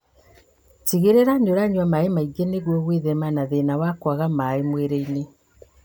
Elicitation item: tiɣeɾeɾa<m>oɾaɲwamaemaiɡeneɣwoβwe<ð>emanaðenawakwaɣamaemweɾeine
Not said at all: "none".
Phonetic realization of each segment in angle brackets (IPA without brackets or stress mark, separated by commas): ɲ, ð